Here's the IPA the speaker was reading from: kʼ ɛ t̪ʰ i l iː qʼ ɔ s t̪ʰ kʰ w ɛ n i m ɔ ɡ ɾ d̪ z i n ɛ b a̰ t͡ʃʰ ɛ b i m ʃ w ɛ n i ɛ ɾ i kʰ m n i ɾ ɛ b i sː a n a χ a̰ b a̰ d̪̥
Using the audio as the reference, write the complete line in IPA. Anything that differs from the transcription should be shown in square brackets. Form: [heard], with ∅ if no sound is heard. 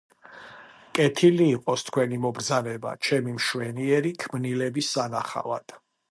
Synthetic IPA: kʼ ɛ t̪ʰ i l iː qʼ ɔ s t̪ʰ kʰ w ɛ n i m ɔ [b] ɾ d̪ z [a] n ɛ b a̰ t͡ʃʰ ɛ [m] i m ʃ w ɛ n i ɛ ɾ i kʰ m n i [l] ɛ b i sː a n a χ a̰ [v] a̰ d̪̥